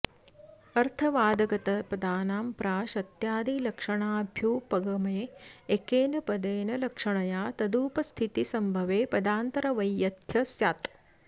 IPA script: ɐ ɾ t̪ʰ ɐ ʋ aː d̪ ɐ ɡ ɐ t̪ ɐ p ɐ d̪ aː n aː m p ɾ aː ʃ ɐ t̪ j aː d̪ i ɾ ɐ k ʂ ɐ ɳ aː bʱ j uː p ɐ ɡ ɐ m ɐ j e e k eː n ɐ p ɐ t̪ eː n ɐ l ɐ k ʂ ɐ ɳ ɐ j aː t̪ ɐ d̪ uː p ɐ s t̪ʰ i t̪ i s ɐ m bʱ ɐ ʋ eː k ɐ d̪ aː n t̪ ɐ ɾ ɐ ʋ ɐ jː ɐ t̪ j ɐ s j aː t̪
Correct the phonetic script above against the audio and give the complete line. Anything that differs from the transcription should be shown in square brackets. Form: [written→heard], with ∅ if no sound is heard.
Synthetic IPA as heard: ɐ ɾ t̪ʰ ɐ ʋ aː d̪ ɐ ɡ ɐ t̪ ɐ p ɐ d̪ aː n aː m p ɾ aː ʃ ɐ t̪ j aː d̪ i [ɾ→l] ɐ k ʂ ɐ ɳ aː bʱ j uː p ɐ ɡ ɐ m ɐ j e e k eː n ɐ p ɐ [t̪→d̪] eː n ɐ l ɐ k ʂ ɐ ɳ ɐ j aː t̪ ɐ d̪ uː p ɐ s t̪ʰ i t̪ i s ɐ m bʱ ɐ ʋ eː [k→p] ɐ d̪ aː n t̪ ɐ ɾ ɐ ʋ ɐ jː ɐ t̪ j ɐ s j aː t̪